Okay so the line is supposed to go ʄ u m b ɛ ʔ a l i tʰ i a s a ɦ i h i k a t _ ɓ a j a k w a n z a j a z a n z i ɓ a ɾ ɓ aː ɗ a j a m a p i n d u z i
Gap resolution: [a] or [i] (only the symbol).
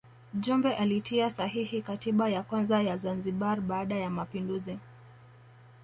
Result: i